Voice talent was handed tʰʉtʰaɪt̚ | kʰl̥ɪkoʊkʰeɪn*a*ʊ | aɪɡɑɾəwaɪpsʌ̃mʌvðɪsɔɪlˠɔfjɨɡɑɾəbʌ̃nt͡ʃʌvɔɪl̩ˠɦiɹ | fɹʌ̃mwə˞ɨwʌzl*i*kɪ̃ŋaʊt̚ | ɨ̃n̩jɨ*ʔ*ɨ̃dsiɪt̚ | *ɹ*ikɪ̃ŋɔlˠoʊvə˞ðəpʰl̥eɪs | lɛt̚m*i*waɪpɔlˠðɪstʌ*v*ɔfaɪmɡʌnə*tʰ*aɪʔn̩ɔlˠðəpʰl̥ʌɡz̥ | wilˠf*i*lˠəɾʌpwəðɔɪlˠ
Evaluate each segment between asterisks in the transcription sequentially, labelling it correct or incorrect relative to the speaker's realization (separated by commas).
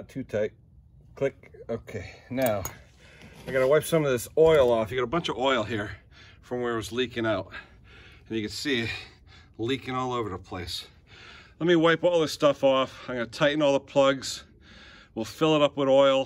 correct, correct, incorrect, incorrect, correct, incorrect, correct, incorrect